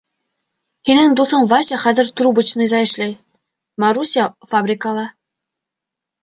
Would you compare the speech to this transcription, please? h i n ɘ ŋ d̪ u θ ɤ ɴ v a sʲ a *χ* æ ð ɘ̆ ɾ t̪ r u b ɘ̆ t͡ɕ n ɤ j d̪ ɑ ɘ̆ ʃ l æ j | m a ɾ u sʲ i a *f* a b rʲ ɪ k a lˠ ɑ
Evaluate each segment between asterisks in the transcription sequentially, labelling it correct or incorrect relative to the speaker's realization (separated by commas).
correct, correct